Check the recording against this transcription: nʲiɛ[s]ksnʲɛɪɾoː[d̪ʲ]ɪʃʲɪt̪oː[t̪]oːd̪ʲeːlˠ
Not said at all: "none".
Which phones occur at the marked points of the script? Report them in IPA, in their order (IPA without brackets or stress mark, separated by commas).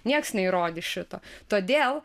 none, d̪ʲ, t̪